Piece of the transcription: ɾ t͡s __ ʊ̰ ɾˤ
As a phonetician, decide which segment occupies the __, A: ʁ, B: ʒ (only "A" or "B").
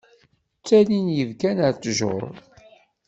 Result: B